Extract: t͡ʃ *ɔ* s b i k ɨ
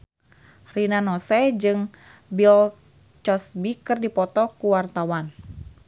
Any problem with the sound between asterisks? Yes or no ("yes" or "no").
no